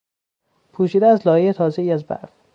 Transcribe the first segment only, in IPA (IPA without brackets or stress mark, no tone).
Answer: pʰ